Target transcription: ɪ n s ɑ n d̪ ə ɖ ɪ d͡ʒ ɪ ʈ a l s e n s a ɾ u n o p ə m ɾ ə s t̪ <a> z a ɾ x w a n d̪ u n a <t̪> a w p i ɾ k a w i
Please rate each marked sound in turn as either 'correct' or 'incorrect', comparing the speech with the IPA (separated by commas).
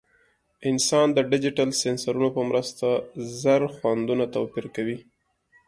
correct, correct